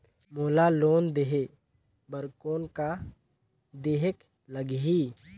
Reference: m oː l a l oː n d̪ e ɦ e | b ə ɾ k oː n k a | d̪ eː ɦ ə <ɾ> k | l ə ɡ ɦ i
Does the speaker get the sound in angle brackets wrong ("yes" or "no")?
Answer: yes